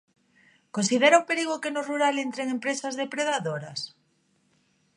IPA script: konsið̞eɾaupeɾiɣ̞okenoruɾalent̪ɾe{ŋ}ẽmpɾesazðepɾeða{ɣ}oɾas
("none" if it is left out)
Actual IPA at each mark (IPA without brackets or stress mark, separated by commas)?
ŋ, ð